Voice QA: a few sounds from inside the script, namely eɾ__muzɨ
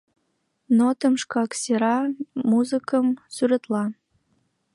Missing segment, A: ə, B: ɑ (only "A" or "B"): B